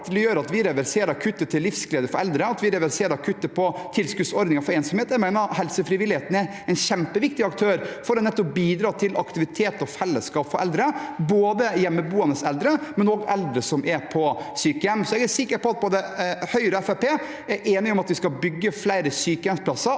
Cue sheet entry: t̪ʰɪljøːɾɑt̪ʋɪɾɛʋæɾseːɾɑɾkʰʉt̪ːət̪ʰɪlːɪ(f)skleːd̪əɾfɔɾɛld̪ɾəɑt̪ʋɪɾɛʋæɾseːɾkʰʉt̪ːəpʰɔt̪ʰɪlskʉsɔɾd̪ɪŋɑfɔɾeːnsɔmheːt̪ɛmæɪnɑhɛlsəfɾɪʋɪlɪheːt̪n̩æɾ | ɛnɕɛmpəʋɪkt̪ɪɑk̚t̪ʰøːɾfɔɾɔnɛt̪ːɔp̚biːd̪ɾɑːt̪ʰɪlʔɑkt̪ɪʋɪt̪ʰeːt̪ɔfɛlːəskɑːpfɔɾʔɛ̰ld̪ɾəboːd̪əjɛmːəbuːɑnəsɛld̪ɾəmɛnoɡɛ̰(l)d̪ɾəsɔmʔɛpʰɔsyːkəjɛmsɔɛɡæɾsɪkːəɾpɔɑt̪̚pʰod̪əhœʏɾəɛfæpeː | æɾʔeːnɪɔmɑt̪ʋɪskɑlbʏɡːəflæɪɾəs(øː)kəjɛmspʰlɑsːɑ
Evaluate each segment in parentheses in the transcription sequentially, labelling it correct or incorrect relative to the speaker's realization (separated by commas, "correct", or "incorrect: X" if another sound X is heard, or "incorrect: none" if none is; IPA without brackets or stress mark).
correct, correct, incorrect: yː